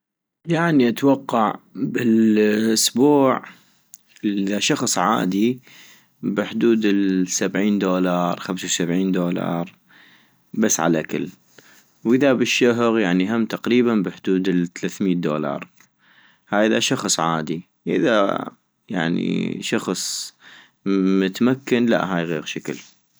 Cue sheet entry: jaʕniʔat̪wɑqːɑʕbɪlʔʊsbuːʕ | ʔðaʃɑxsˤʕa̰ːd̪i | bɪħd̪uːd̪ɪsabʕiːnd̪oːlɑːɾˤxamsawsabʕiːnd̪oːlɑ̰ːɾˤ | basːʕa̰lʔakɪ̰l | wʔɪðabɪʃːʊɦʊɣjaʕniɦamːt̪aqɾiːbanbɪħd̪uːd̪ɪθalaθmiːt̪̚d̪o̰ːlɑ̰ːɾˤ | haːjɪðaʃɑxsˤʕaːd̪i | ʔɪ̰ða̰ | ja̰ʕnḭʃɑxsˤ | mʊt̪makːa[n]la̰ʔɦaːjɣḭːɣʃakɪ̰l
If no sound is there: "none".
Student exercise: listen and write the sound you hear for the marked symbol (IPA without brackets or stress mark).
n